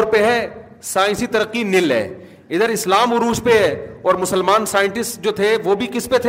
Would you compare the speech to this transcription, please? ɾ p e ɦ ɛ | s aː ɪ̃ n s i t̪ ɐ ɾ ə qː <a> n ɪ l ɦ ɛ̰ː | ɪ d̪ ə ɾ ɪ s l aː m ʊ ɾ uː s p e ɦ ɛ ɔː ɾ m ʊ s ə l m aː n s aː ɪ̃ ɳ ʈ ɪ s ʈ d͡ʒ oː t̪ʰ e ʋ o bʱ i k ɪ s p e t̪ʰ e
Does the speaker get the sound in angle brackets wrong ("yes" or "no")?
yes